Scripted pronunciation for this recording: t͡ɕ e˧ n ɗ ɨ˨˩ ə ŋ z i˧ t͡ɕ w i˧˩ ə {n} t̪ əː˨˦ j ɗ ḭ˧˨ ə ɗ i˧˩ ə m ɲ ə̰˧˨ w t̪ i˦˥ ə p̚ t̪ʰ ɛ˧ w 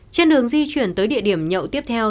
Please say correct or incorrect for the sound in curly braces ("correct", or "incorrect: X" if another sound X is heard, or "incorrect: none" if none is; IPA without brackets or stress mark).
correct